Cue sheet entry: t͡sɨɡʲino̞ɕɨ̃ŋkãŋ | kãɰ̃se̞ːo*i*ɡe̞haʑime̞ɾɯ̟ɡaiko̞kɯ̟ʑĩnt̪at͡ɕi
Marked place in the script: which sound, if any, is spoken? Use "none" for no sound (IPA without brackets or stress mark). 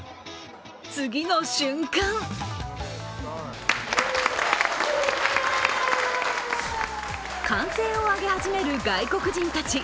a